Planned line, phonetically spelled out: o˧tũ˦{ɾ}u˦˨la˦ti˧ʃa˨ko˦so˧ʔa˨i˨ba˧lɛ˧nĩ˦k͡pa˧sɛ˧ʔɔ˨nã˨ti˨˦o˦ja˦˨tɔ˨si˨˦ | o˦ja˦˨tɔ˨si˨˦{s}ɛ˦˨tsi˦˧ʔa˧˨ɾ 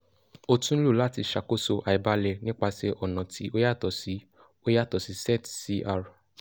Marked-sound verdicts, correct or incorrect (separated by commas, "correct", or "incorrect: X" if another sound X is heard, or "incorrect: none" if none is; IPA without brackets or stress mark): incorrect: l, correct